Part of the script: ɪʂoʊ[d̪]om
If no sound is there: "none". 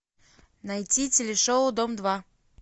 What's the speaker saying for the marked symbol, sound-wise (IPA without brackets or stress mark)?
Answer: d̪